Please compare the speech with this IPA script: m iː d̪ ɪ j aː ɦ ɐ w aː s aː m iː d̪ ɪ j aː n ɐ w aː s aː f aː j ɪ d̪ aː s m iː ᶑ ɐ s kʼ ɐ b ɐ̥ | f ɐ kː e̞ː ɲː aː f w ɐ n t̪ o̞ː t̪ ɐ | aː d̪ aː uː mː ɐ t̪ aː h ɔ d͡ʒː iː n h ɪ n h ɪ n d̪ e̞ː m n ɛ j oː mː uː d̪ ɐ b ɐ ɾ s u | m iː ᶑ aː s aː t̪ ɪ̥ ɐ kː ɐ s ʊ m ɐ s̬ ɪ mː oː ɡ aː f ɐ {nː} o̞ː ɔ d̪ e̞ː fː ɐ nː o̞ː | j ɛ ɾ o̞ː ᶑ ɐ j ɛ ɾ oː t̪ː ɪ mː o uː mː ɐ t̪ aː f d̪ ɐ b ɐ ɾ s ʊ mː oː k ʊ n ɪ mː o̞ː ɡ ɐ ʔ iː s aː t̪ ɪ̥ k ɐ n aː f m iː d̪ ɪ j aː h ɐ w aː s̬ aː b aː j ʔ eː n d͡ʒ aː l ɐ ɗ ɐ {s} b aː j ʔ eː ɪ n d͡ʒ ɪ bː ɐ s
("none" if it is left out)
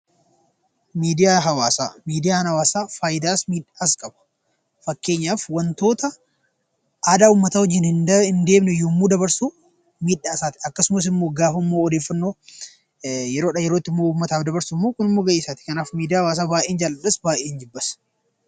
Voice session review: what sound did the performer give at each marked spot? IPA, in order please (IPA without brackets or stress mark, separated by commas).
mː, s